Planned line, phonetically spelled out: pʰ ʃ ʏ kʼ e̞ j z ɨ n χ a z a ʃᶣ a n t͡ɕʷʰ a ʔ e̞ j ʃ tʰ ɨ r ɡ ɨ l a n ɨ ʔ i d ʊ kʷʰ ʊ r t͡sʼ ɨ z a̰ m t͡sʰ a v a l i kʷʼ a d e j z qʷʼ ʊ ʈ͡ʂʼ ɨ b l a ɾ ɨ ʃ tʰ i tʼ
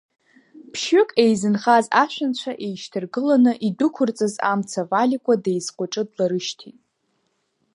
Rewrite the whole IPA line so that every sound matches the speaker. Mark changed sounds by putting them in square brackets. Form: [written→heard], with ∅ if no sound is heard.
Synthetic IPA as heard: pʰ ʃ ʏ kʼ e̞ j z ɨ n χ a z a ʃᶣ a n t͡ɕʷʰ a ʔ e̞ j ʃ tʰ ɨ r ɡ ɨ l a n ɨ ʔ i d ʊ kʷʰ ʊ r t͡sʼ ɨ z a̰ m t͡sʰ a v a l i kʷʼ a d e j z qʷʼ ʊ ʈ͡ʂʼ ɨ [b→d] l a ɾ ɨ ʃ tʰ i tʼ